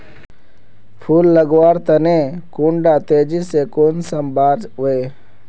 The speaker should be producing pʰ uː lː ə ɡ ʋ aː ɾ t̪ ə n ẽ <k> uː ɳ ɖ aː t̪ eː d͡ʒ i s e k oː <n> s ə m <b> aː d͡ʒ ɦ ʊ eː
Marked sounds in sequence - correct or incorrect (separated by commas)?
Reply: correct, correct, correct